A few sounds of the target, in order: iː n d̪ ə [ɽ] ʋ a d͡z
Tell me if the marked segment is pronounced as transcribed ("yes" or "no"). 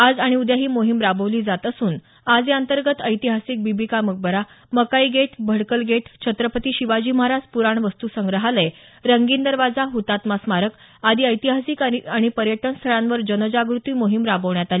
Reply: no